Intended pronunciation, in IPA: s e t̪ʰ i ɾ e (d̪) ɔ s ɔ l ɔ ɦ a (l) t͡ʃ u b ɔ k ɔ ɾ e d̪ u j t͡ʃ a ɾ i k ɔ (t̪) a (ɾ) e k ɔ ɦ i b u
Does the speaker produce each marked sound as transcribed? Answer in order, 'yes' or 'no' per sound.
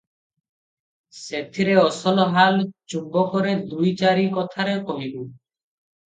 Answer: no, yes, no, yes

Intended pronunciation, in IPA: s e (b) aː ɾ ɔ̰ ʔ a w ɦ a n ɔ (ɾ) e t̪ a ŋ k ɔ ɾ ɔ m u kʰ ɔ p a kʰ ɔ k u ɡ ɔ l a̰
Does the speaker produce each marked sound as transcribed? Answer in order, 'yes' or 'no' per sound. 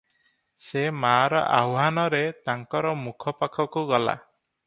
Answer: no, yes

